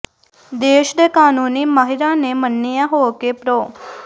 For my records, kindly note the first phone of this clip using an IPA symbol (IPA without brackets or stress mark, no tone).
d̪